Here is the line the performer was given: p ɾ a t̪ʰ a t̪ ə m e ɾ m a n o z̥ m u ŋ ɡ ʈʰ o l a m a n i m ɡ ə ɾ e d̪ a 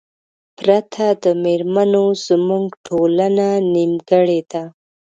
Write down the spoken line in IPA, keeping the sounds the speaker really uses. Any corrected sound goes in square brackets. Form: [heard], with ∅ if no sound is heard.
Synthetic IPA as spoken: p ɾ a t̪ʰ a [d̪] ə m e ɾ m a n o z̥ m u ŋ ɡ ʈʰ o l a [n] a n i m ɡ ə [ɽ] e d̪ a